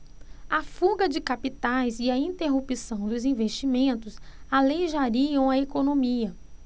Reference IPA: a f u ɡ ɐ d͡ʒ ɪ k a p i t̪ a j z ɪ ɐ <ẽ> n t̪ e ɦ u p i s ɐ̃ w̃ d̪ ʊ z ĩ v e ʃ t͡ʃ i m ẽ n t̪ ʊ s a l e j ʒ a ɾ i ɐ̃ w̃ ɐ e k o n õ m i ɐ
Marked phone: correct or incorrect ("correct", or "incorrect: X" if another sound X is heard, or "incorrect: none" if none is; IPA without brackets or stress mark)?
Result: incorrect: ĩ